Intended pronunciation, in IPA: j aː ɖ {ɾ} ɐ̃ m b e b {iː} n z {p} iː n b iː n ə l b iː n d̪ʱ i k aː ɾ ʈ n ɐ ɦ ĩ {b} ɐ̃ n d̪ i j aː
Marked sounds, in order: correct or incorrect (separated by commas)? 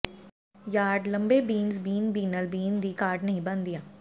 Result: incorrect, correct, incorrect, correct